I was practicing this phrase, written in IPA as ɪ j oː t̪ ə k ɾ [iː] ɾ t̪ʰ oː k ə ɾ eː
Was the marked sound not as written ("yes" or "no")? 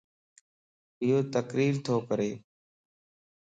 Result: no